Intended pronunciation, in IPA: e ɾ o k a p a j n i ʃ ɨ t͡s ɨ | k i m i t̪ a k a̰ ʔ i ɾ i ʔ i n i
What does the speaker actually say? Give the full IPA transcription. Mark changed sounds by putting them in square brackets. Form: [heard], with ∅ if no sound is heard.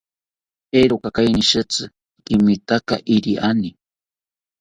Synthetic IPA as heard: e ɾ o k a [k] a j n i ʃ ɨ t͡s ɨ | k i m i t̪ a k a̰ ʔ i ɾ i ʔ [a] n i